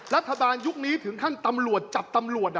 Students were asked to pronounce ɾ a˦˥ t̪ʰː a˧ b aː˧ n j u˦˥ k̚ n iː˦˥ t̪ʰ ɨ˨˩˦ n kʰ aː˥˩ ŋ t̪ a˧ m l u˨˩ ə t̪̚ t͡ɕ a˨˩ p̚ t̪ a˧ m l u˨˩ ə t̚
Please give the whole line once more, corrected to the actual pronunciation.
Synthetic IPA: ɾ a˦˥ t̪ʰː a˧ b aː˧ n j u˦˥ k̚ n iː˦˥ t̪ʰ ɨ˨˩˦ ŋ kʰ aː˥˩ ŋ t̪ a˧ m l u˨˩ ə t̪̚ t͡ɕ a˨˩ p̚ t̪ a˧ m l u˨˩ ə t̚